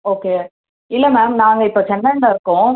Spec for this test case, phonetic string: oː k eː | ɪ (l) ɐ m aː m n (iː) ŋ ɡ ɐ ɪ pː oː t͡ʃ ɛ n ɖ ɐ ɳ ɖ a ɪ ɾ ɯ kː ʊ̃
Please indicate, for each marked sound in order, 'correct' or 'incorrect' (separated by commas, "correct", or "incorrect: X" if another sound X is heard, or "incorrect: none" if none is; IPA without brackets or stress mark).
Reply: incorrect: lː, incorrect: aː